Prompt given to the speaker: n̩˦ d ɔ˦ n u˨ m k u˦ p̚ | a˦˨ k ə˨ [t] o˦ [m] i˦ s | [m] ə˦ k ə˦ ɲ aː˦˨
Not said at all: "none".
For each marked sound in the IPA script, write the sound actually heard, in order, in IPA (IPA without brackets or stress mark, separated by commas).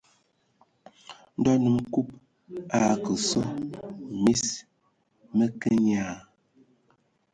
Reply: s, m, m